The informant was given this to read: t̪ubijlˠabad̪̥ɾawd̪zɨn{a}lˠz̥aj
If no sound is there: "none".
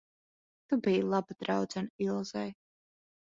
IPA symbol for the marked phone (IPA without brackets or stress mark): i